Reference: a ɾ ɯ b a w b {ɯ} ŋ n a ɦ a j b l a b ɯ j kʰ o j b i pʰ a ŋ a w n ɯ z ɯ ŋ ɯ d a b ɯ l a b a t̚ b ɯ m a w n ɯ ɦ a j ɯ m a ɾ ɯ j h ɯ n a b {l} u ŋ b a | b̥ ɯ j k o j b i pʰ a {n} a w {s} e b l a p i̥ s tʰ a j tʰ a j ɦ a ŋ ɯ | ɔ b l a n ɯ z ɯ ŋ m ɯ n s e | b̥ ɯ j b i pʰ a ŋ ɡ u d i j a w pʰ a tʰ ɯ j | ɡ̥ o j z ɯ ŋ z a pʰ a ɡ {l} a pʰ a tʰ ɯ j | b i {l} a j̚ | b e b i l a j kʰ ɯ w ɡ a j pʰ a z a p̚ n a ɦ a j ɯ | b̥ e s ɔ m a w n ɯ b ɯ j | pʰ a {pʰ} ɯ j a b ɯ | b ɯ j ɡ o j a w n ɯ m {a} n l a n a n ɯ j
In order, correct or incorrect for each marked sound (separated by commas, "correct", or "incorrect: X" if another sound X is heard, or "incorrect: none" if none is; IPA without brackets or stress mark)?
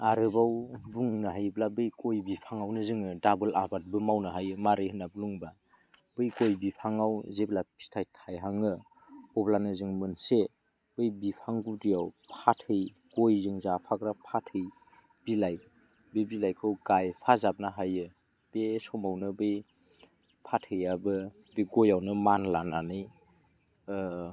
incorrect: u, correct, incorrect: ŋ, incorrect: z, incorrect: ɾ, correct, incorrect: tʰ, correct